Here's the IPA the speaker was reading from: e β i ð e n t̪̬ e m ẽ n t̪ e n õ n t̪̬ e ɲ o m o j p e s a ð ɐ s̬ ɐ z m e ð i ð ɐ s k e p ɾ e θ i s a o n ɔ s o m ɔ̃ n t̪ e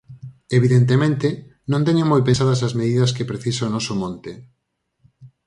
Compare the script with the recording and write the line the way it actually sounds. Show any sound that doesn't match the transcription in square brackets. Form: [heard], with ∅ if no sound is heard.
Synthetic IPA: e β i ð e n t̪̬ e m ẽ n t̪ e n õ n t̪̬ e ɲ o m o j p e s a ð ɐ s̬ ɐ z m e ð i ð ɐ s k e p ɾ e θ i s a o n ɔ s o m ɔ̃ n t̪ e